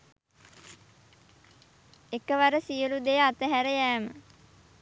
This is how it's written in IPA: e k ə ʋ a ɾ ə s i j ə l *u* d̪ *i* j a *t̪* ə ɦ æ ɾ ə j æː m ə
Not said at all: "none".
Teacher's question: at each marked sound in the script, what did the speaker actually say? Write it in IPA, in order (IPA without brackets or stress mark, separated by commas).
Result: u, e, t̪